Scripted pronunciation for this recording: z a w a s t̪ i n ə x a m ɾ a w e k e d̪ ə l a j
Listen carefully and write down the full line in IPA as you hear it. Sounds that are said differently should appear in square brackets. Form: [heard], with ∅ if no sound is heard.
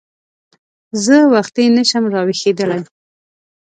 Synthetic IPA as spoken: z [ə] w a [x] t̪ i n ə [ʃ] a m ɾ [ɑ] w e [x] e d̪ ə l a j